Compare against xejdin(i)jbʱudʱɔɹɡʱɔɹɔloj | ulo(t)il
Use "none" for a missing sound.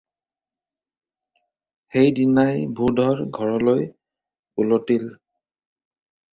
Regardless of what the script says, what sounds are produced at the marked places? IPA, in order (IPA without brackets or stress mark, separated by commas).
a, t